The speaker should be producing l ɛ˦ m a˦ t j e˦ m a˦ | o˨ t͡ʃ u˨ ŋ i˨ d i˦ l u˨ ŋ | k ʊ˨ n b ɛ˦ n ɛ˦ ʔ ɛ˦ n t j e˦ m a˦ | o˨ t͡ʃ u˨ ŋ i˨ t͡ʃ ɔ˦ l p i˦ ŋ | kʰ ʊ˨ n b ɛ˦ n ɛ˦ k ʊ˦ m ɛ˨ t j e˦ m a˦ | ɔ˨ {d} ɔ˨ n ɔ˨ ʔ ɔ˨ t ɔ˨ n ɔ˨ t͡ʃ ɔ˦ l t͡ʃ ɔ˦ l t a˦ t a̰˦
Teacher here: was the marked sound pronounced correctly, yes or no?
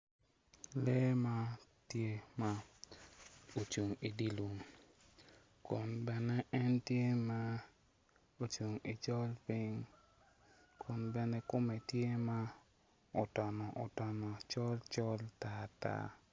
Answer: no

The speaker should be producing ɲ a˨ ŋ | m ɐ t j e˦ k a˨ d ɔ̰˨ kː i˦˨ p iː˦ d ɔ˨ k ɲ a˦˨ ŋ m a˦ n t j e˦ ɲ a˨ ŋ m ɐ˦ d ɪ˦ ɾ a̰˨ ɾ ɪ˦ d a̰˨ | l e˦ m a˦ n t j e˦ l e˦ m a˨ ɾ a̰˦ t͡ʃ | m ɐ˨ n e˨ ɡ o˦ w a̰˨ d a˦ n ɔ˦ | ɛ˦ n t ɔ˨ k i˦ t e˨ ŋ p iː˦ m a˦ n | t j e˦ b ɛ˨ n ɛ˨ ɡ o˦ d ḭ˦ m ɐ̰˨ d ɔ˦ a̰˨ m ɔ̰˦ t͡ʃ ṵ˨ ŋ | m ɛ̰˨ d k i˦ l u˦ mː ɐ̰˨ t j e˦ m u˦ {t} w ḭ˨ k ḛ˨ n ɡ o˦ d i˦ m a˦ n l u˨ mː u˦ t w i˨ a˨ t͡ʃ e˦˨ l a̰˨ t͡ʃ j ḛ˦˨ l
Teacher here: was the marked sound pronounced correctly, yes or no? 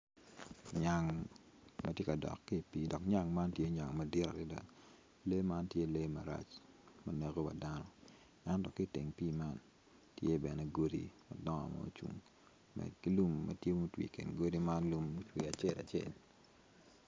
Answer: yes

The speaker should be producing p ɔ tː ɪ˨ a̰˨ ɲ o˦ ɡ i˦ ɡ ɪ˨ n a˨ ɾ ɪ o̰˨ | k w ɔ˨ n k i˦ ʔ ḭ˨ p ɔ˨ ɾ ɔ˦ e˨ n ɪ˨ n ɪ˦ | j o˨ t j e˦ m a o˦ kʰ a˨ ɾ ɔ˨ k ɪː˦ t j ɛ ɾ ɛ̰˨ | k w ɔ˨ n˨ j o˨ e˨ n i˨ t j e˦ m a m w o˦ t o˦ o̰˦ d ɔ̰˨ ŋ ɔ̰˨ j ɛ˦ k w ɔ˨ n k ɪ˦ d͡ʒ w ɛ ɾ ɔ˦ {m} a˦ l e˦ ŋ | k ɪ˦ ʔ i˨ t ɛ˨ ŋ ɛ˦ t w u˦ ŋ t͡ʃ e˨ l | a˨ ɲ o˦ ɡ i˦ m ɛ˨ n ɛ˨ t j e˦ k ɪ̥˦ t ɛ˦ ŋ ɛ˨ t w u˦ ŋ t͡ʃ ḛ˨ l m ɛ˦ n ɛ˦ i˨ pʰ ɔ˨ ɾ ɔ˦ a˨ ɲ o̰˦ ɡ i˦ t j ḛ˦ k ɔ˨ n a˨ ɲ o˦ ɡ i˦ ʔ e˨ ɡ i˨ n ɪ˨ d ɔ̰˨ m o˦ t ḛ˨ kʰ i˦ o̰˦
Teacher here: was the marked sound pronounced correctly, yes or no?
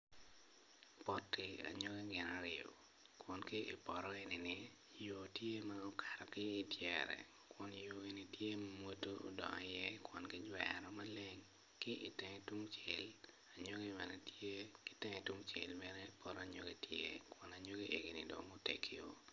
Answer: yes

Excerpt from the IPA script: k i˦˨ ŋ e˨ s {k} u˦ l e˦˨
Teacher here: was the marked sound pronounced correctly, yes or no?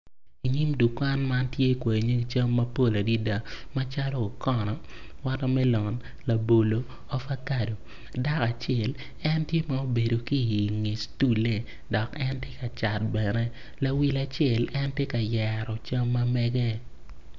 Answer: no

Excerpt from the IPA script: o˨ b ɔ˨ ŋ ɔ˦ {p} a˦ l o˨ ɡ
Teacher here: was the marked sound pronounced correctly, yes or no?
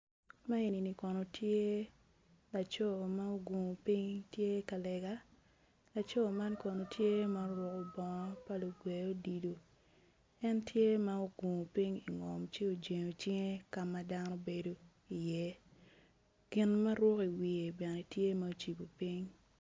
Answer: yes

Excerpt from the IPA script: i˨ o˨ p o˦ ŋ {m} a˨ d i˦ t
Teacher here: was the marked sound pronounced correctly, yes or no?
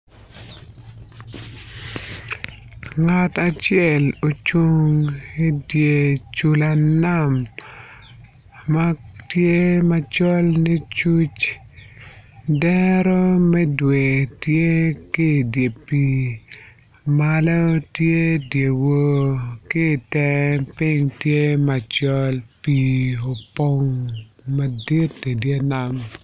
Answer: yes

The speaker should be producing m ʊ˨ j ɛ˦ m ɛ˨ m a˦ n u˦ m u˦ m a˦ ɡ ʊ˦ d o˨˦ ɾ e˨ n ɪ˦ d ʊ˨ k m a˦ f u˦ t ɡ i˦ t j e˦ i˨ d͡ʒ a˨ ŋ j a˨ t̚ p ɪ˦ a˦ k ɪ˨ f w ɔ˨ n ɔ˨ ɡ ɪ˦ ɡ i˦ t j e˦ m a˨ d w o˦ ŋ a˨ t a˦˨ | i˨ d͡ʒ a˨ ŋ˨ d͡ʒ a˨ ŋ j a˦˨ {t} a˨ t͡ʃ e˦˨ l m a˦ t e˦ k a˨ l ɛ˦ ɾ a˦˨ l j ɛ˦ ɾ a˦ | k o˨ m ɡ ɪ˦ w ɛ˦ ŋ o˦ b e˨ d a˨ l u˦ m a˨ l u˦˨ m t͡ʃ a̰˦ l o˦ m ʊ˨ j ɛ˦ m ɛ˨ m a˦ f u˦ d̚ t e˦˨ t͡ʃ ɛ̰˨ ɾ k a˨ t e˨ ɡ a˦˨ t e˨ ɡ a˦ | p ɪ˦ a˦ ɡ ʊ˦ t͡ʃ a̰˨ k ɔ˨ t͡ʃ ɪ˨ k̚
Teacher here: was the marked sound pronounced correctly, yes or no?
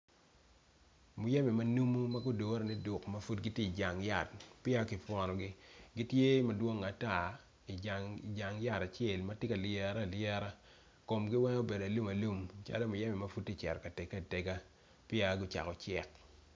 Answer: yes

